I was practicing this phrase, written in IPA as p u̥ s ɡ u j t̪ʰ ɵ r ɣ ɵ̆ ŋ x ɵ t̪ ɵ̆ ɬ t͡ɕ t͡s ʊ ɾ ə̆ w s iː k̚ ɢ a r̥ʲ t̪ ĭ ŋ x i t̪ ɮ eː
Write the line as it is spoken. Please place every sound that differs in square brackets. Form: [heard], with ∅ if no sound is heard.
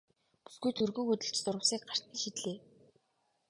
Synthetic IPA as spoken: p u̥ s ɡ u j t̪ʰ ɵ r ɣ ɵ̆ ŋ x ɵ t̪ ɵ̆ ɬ t͡ɕ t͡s ʊ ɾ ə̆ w s iː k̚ ɢ a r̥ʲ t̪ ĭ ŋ [ʃ] i t̪ ɮ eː